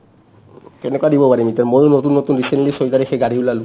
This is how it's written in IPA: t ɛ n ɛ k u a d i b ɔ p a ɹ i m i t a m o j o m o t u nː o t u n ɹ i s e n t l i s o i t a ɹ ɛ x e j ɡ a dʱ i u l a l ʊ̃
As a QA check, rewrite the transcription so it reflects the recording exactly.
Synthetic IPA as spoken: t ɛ n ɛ k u a d i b ɔ p a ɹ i m i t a m o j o n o t u nː o t u n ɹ i s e n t l i s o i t a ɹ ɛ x e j ɡ a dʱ i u l a l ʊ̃